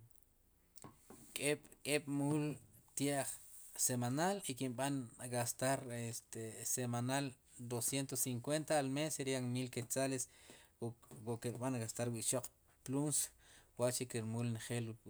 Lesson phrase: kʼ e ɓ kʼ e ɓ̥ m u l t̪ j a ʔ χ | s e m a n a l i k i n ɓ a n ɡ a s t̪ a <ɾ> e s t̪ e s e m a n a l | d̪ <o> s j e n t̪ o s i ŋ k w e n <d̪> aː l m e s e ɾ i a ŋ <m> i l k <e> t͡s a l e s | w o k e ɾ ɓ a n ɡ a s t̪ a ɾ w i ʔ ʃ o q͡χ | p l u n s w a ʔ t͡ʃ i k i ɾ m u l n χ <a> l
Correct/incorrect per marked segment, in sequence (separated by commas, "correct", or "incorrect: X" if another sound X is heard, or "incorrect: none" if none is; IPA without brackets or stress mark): correct, correct, incorrect: t̪, correct, correct, incorrect: e